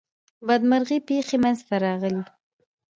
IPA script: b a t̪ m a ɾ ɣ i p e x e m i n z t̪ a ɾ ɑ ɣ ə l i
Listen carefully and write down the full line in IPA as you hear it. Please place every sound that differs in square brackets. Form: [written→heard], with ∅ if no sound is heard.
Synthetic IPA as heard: b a [t̪→d̪] m a ɾ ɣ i p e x e m [i→a] n z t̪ a ɾ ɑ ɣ ə l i